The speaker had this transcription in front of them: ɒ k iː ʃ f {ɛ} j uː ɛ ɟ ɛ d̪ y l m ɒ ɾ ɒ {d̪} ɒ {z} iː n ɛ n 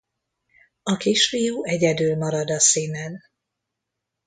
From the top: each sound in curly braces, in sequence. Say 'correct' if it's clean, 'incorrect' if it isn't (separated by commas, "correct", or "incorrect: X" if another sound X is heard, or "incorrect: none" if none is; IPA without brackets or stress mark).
incorrect: i, correct, incorrect: s